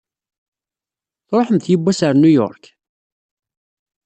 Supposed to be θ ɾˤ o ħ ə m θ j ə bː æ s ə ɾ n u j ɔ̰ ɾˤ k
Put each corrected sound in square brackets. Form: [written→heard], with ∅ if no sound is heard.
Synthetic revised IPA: θ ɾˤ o ħ ə m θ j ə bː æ s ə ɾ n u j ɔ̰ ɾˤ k